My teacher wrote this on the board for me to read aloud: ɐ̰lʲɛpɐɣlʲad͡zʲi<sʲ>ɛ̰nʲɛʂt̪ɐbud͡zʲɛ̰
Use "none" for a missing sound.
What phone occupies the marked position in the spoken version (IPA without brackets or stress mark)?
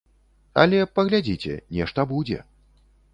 t͡sʲ